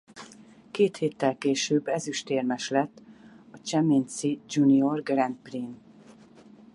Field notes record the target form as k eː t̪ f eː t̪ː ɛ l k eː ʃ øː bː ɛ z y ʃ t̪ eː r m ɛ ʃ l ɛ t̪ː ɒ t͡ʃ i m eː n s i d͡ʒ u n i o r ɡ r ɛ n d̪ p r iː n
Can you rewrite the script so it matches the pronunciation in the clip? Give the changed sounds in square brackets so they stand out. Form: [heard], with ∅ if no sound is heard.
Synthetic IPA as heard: k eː t̪ [h] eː t̪ː ɛ l k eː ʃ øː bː ɛ z y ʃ t̪ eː r m ɛ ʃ l ɛ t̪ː ɒ t͡ʃ [ɛ] m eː n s i d͡ʒ u n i o r ɡ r ɛ n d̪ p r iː n